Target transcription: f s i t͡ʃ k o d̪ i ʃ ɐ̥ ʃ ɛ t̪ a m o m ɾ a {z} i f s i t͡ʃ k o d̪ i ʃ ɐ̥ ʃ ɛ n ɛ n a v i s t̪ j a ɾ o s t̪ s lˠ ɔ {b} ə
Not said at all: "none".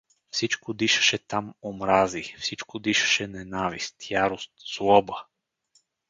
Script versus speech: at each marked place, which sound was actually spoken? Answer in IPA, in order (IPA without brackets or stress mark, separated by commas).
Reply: z, b